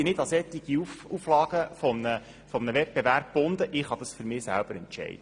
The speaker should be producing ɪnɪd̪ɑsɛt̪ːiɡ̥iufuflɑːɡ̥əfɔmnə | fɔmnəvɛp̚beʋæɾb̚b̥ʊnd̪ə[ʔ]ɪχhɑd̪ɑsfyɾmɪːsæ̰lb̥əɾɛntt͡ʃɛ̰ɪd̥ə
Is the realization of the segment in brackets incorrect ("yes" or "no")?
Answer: no